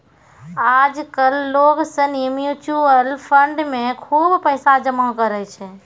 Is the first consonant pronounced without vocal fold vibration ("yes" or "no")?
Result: no